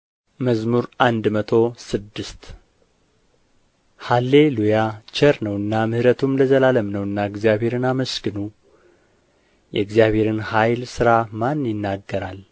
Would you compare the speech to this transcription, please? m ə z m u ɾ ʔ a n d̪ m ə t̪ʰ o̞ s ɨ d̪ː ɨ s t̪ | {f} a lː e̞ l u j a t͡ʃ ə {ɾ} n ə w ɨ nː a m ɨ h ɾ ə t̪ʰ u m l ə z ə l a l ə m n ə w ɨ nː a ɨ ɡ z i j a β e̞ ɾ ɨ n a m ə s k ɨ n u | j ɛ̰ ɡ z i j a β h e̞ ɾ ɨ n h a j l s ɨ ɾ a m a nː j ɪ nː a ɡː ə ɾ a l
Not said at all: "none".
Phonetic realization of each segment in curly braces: h, ɾ

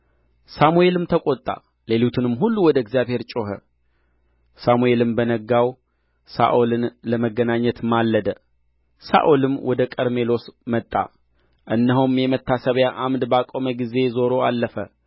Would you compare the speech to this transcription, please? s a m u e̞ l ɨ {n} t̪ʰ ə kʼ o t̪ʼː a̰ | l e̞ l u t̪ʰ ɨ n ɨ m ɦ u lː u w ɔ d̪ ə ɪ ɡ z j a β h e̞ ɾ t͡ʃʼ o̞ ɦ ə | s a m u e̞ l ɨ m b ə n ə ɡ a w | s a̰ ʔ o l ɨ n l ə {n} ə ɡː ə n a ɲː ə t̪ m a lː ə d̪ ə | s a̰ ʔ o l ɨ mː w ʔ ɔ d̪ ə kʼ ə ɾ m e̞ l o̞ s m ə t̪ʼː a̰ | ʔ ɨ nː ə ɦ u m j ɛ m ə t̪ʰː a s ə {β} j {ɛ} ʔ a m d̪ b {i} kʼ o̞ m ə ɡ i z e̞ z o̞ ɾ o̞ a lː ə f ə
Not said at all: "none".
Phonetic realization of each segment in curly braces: m, m, β, a, a

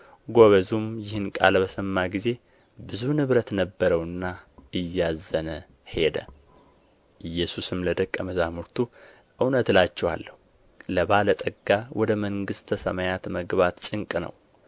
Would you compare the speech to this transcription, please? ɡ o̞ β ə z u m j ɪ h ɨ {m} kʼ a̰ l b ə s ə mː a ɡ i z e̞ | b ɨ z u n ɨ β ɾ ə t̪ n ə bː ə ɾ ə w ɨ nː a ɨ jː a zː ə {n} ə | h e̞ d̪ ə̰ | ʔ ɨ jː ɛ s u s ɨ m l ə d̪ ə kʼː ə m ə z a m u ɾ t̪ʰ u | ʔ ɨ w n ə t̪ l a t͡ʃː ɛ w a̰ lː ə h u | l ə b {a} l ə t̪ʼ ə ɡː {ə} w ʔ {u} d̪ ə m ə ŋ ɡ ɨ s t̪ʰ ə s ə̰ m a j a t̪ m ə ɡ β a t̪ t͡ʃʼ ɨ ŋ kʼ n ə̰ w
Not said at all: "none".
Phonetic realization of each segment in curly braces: n, n, a, a, ɔ

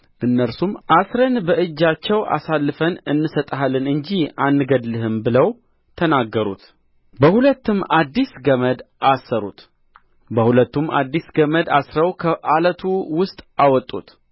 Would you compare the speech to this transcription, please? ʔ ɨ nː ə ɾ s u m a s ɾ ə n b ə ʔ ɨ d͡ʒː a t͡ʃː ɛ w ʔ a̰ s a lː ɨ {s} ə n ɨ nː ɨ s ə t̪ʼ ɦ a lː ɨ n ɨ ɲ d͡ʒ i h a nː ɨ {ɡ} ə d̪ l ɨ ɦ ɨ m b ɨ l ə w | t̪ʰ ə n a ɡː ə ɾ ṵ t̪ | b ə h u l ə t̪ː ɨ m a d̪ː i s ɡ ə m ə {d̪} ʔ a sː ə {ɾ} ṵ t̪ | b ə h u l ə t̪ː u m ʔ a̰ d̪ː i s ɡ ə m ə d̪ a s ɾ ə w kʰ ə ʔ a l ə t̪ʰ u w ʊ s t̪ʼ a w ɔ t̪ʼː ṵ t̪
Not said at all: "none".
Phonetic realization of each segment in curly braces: f, ɡ, d̪, ɾ

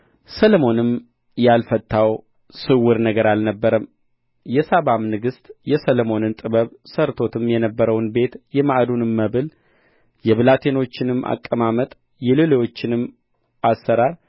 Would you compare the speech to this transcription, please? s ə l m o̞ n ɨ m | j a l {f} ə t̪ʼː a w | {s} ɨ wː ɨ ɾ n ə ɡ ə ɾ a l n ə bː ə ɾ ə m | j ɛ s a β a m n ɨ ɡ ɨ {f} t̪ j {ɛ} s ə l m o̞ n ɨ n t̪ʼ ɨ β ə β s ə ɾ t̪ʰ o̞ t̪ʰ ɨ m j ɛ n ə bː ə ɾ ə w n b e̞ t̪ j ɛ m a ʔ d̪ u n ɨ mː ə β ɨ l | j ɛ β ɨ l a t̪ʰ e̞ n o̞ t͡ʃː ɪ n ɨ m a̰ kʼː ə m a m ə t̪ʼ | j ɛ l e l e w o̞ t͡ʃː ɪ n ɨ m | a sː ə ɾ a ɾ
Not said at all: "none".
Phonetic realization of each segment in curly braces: f, s, s, ɛ

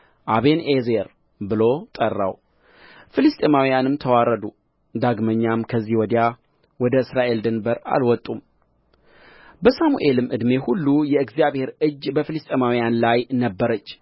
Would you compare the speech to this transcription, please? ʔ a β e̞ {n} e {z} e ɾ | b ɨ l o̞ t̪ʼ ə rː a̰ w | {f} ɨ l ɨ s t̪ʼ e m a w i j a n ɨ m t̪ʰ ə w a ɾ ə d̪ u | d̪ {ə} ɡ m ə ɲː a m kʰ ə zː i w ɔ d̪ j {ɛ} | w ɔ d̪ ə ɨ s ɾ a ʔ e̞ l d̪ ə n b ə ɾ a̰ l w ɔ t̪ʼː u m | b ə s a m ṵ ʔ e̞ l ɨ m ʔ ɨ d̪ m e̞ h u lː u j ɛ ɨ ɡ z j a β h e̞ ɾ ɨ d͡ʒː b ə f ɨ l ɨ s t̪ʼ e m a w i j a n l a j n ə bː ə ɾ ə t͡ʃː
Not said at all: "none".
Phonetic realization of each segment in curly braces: n, z, f, a, a

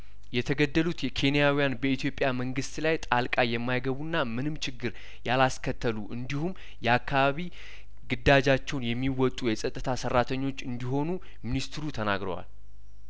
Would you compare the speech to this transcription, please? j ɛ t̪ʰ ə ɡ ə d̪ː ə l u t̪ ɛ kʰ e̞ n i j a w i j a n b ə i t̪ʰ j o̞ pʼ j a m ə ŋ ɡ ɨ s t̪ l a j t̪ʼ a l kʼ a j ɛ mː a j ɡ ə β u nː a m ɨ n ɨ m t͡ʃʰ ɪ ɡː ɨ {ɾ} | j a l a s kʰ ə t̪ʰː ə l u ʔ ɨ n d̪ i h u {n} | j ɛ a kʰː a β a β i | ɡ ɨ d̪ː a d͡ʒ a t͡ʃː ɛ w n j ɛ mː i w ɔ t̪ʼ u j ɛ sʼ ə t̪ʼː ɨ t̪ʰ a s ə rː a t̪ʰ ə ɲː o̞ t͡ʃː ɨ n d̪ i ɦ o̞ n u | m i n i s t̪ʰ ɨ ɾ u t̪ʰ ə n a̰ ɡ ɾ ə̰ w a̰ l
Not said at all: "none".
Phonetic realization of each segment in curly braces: ɾ, m

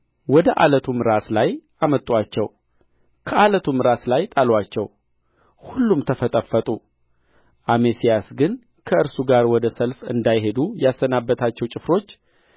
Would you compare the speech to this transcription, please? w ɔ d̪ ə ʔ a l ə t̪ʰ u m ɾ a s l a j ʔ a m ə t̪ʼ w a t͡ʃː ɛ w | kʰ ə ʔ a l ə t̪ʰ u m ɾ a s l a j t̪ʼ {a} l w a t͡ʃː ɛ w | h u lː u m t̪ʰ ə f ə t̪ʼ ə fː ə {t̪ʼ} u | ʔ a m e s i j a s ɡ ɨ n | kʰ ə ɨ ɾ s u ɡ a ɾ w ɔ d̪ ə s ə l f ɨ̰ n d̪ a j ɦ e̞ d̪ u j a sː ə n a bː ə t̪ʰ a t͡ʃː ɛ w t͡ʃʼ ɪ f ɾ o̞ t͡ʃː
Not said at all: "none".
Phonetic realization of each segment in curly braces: a, t̪ʼ

